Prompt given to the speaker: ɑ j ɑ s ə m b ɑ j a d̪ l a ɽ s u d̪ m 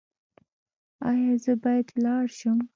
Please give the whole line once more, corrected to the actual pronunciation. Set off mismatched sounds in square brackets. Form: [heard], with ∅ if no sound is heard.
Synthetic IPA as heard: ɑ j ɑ [z] ə [∅] b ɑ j a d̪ l [ɑ] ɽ [ʃ] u [∅] m